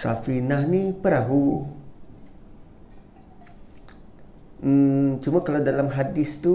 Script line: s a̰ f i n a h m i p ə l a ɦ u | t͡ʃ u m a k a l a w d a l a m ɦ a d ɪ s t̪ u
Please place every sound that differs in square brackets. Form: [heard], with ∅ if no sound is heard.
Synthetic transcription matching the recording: s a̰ f i n a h [n] i p ə [ɾ] a ɦ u | t͡ʃ u m a k a l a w d a l a m ɦ a d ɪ s t̪ u